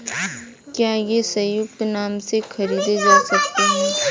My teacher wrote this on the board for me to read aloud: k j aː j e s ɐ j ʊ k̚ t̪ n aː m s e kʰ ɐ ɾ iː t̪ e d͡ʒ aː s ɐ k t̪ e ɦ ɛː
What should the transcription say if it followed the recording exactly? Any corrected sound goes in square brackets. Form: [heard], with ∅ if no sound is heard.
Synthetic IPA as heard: k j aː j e s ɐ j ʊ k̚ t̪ n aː m s e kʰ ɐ ɾ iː [d̪] e d͡ʒ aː s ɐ k t̪ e ɦ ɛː